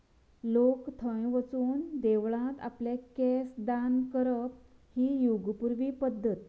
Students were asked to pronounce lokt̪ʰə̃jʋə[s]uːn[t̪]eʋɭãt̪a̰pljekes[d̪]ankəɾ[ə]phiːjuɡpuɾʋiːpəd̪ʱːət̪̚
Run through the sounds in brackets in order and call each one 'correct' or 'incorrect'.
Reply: incorrect: t͡s, incorrect: d̪, correct, correct

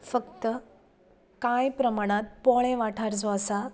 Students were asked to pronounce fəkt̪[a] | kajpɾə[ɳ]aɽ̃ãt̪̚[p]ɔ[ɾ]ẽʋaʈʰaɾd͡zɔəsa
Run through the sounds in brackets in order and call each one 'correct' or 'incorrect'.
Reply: incorrect: ə, incorrect: m, correct, incorrect: ɭ

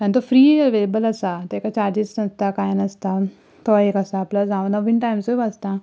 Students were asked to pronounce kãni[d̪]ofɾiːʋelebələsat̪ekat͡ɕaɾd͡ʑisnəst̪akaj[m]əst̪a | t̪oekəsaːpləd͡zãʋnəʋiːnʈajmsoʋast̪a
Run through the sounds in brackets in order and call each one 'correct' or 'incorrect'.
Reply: incorrect: t̪, incorrect: n

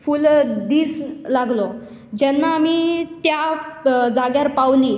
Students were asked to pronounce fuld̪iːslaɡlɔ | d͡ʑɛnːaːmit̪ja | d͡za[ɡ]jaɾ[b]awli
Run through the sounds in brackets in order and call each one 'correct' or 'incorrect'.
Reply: correct, incorrect: p

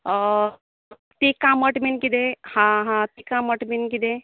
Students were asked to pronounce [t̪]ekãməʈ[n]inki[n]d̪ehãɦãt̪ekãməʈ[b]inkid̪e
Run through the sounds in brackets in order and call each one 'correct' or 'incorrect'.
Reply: correct, incorrect: m, incorrect: none, incorrect: m

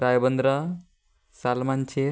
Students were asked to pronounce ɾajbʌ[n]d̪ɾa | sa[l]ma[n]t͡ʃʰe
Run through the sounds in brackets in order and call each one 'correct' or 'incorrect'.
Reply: correct, correct, correct

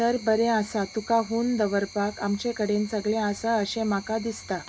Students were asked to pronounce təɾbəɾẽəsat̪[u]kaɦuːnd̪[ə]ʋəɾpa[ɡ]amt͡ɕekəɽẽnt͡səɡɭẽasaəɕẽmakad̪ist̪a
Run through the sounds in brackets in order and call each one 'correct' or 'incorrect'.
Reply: correct, correct, incorrect: k

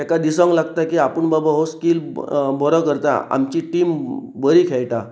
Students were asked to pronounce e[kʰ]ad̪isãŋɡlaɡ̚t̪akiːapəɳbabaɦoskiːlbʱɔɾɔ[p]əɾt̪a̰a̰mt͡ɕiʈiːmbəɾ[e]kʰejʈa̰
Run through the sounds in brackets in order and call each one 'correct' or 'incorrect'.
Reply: incorrect: k, incorrect: k, incorrect: i

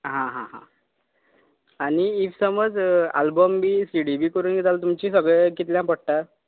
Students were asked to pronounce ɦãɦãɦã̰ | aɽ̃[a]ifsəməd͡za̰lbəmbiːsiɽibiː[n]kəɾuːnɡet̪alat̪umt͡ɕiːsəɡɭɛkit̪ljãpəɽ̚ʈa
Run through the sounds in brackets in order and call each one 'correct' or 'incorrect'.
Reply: incorrect: i, incorrect: none

